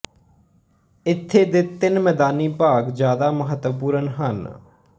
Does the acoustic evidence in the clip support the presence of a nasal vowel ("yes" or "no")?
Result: no